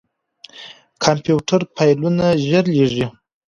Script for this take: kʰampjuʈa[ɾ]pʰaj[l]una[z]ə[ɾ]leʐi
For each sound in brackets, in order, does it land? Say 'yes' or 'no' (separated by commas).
yes, yes, no, yes